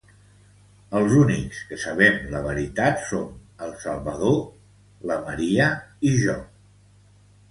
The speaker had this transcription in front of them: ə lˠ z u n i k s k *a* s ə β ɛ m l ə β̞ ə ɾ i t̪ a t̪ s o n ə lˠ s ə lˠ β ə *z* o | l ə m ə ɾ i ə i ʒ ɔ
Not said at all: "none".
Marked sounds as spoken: ə, ð

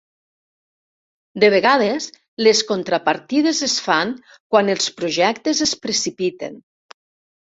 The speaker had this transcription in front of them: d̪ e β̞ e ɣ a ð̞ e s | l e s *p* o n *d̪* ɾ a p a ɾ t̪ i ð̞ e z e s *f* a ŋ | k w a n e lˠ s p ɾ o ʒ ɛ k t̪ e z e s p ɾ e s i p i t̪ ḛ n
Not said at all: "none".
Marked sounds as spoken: k, t̪, f

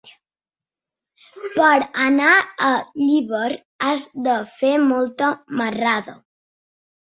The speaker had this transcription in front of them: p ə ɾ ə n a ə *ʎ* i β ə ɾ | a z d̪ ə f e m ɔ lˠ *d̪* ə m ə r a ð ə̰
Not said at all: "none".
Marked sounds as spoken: ʎ, t̪

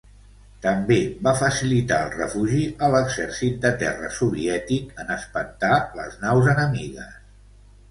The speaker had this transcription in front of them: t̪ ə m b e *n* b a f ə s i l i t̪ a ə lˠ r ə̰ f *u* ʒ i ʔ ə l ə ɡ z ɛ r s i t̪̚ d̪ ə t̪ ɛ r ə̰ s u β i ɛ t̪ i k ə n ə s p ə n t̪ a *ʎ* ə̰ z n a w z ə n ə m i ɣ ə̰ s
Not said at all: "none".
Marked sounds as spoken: none, u, l

